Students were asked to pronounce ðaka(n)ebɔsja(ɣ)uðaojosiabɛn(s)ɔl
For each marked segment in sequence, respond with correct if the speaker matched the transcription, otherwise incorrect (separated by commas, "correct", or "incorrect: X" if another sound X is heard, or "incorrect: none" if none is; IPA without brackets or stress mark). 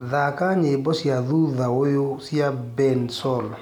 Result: incorrect: ɲ, incorrect: ð, correct